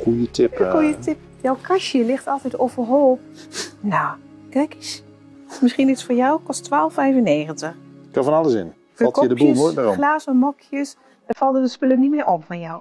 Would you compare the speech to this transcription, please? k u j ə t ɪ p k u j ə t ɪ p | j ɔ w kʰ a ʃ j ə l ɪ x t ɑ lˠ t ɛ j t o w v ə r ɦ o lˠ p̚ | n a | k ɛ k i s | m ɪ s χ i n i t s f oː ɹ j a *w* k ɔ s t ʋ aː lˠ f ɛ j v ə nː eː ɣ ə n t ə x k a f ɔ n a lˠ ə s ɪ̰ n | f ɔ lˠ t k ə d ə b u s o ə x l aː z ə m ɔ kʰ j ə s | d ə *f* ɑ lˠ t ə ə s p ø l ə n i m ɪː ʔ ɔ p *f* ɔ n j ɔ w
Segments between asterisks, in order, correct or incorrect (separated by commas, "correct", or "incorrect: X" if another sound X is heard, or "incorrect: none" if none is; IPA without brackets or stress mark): correct, correct, correct